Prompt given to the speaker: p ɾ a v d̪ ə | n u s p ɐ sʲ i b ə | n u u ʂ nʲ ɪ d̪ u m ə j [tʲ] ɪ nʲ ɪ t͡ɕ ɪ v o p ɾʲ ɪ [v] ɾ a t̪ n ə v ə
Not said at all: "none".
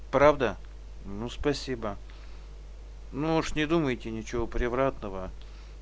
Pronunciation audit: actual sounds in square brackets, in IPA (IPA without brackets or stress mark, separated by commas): tʲ, v